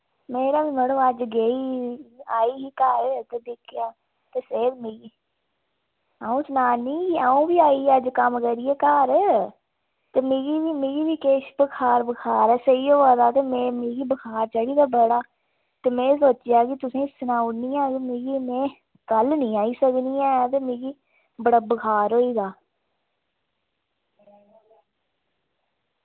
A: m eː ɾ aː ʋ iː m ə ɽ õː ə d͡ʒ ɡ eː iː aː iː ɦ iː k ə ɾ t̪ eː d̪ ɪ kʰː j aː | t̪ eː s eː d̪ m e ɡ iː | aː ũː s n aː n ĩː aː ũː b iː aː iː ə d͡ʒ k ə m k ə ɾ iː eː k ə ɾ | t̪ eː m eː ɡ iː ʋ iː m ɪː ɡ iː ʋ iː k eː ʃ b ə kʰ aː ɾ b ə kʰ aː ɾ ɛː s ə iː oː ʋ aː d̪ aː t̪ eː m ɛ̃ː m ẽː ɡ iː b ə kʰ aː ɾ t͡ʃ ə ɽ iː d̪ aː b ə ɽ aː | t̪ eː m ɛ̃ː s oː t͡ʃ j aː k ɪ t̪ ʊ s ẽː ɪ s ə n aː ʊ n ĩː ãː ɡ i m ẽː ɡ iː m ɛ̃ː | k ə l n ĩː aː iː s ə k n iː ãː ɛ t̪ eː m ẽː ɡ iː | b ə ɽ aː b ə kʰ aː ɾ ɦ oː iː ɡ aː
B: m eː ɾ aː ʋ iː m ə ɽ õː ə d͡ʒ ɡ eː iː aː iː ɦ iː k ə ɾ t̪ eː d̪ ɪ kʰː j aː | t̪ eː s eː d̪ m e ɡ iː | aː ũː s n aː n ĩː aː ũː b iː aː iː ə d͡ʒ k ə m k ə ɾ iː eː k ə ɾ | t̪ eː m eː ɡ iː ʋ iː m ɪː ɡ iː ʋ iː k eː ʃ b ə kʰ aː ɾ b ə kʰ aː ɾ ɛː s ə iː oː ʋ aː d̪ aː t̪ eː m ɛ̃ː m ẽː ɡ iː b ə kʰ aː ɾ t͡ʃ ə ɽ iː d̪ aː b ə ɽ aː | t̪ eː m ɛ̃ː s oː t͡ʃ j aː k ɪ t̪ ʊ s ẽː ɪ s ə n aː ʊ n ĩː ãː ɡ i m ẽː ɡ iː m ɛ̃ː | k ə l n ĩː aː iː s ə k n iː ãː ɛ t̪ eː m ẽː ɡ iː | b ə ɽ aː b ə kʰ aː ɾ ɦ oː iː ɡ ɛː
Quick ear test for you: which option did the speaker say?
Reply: A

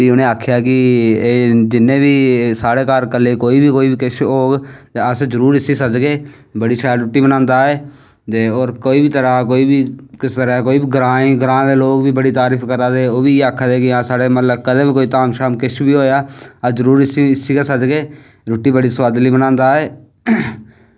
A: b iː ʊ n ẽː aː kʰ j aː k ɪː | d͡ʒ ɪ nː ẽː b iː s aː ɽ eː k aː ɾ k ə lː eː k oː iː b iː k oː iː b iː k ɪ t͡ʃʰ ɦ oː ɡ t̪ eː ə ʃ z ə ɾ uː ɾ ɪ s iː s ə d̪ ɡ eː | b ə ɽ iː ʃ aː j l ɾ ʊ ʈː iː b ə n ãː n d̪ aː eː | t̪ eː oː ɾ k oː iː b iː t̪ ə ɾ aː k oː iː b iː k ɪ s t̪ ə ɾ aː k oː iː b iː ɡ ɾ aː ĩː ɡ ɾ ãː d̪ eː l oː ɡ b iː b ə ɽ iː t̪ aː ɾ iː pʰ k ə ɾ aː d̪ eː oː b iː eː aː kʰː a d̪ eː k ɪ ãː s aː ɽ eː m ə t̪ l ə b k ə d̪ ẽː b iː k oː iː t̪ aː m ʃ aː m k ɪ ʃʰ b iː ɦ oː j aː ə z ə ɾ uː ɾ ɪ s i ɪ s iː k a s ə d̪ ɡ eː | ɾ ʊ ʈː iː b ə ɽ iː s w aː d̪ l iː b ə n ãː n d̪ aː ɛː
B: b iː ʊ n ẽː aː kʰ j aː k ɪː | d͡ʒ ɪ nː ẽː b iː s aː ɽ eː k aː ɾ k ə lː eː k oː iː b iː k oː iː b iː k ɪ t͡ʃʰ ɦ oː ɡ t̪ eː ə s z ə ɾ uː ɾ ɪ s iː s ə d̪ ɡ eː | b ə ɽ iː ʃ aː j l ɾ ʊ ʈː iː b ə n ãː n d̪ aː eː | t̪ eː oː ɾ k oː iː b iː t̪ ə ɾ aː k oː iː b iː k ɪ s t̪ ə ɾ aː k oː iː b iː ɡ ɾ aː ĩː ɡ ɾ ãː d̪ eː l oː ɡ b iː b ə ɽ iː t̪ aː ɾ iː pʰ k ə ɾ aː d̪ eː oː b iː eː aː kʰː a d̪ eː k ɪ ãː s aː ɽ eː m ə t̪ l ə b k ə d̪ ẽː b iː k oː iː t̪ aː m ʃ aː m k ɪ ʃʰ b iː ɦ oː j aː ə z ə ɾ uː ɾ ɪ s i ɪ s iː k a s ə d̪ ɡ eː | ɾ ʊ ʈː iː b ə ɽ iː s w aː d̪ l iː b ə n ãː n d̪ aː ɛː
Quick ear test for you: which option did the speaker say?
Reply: B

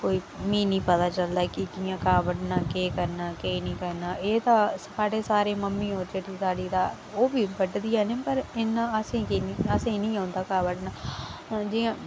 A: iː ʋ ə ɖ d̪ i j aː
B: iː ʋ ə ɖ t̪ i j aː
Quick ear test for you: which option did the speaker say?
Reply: A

